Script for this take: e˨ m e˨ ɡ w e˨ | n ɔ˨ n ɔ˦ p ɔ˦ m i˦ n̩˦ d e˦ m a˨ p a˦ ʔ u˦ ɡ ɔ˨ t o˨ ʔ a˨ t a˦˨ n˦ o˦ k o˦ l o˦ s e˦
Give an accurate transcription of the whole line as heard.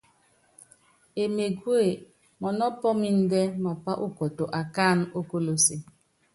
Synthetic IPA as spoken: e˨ m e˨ ɡ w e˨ | m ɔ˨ n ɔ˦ p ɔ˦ m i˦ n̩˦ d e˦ m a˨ p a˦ ʔ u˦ k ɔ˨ t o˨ ʔ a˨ k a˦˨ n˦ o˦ k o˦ l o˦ s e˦